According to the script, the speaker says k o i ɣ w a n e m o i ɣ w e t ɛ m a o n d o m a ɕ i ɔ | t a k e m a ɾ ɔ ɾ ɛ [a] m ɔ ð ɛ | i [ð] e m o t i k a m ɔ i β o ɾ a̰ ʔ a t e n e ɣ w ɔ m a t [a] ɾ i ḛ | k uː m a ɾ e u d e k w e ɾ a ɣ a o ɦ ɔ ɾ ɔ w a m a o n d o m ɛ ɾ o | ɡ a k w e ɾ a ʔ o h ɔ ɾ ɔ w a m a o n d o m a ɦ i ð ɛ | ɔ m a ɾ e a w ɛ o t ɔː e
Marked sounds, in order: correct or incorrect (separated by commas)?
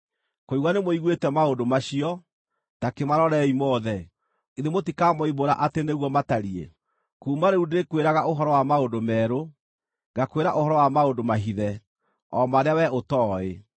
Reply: incorrect, correct, correct